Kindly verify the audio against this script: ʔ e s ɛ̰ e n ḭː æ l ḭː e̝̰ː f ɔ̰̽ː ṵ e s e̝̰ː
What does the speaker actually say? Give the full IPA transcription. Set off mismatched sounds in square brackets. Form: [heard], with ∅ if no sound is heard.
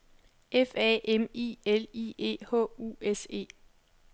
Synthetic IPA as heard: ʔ e [f] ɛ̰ e [m] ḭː [e] l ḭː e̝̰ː [h] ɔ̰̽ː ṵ e s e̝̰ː